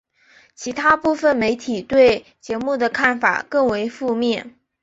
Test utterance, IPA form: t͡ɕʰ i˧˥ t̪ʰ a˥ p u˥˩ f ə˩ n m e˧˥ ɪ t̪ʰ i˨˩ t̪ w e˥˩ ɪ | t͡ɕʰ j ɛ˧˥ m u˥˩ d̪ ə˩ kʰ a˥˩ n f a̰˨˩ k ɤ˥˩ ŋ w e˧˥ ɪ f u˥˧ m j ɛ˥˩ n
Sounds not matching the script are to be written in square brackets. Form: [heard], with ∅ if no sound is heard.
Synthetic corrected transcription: t͡ɕʰ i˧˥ t̪ʰ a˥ p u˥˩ f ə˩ n m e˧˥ ɪ t̪ʰ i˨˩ t̪ w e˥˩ ɪ | [t͡ɕ] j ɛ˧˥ m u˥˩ d̪ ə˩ kʰ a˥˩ n f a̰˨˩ k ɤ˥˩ ŋ w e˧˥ ɪ f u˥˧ m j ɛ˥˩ n

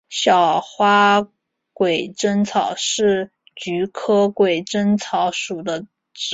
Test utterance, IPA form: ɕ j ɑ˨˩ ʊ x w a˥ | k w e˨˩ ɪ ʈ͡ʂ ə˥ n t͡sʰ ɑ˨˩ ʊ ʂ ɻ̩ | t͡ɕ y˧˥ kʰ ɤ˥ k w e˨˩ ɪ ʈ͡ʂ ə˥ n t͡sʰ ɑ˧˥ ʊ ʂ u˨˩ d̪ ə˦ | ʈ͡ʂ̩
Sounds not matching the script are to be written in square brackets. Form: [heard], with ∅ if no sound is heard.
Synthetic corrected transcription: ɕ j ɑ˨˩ ʊ x w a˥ | k w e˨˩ ɪ ʈ͡ʂ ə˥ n t͡sʰ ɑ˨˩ ʊ ʂ ɻ̩ | t͡ɕ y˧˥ kʰ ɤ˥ k w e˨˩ ɪ ʈ͡ʂ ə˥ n t͡sʰ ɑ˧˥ ʊ ʂ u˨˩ d̪ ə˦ | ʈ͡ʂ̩

